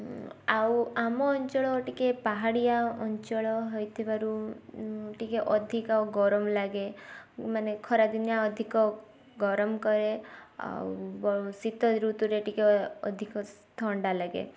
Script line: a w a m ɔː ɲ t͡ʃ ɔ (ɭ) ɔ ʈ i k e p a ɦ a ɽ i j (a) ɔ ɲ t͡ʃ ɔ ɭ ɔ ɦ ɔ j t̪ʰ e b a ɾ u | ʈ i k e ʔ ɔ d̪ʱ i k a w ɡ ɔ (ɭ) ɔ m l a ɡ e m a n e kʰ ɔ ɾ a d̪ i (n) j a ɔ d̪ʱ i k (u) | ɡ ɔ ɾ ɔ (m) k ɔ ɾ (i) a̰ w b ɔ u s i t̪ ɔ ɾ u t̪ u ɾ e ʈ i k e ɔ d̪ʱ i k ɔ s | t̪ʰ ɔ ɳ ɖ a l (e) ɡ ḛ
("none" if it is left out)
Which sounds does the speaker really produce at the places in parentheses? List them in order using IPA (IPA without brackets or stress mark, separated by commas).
ɭ, a, ɾ, n, ɔ, m, e, a